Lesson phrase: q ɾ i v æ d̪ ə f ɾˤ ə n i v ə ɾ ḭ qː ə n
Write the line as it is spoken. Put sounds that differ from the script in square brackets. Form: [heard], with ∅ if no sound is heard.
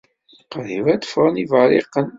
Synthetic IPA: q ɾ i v æ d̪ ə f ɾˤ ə n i v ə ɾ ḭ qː ə n